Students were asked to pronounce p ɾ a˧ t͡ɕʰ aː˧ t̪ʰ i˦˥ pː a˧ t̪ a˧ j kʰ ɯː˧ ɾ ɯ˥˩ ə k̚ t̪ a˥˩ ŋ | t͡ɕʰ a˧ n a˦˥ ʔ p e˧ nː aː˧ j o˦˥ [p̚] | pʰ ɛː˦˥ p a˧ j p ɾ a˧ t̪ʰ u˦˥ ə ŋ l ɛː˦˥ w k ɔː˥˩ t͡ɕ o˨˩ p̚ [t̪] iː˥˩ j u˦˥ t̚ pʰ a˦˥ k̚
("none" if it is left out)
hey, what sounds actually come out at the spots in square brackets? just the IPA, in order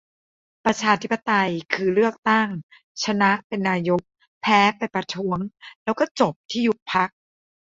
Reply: k̚, t̪ʰ

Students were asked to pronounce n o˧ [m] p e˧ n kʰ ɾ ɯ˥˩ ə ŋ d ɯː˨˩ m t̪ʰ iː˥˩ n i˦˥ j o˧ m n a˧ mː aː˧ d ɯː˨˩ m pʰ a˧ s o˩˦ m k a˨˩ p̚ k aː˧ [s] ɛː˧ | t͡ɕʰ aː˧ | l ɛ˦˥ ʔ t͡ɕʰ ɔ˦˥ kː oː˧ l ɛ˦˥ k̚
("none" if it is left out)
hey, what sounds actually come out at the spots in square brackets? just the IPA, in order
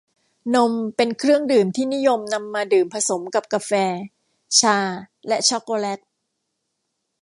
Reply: m, f

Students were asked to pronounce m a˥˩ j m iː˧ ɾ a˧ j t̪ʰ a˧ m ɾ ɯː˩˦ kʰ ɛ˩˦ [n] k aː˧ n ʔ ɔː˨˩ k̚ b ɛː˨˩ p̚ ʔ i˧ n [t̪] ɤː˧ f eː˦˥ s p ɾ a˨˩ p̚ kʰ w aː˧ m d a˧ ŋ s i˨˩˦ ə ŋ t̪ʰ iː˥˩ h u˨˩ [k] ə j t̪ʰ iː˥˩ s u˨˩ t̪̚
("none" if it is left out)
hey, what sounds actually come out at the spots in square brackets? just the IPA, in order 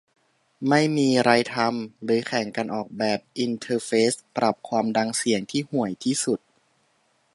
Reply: ŋ, t̪ʰ, none

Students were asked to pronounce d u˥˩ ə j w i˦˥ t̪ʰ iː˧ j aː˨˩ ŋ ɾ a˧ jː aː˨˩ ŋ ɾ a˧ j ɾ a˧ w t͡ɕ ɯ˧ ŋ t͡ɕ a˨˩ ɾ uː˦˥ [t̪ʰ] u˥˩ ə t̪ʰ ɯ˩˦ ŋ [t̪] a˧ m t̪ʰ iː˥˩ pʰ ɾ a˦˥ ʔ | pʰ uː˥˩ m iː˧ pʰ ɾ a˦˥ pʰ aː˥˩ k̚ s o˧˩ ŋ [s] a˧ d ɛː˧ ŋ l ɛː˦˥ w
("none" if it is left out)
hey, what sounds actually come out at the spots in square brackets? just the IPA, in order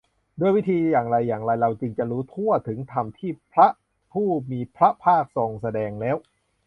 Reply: t̪ʰ, t̪ʰ, s

